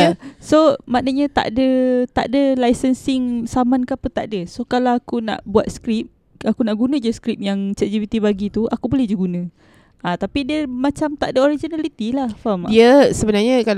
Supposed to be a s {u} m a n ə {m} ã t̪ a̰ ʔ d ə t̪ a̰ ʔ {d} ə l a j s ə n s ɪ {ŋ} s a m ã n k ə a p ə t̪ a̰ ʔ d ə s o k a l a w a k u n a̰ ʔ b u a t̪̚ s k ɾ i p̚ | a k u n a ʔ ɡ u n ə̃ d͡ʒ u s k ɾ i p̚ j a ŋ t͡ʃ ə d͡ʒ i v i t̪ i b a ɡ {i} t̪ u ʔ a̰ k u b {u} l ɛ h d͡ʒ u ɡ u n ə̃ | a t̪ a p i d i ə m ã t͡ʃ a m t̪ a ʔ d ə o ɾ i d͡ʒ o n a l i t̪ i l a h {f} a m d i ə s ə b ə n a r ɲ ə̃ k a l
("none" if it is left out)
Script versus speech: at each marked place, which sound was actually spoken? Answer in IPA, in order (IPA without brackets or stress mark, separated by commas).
o, ɲ, d, ŋ, i, o, f